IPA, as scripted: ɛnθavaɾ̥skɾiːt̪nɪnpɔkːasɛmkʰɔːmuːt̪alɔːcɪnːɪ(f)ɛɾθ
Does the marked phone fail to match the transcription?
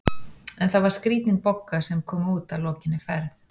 no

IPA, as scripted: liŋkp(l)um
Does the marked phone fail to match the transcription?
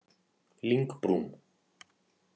yes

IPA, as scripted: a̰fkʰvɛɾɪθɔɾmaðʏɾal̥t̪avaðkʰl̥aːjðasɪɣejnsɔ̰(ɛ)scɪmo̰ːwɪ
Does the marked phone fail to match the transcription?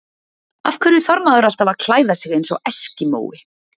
no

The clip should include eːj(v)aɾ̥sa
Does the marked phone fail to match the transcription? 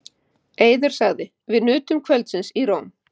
yes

